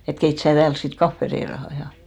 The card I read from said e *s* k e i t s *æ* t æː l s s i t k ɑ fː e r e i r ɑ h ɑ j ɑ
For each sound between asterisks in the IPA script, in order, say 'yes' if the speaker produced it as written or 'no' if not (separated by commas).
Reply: no, no